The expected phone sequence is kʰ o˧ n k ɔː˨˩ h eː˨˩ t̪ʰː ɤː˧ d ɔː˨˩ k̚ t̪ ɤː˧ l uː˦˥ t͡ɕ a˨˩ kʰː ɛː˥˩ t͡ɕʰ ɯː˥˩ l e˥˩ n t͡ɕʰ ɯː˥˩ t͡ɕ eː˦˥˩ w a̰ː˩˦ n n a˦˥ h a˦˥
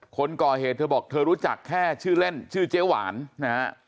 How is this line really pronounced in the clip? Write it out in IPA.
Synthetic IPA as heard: kʰ o˧ n k ɔː˨˩ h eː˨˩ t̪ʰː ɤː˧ b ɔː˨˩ k̚ t̪ʰ ɤː˧ ɾ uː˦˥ t͡ɕ a˨˩ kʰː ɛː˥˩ t͡ɕʰ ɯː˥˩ l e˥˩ n t͡ɕʰ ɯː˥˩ t͡ɕ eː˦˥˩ w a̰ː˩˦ n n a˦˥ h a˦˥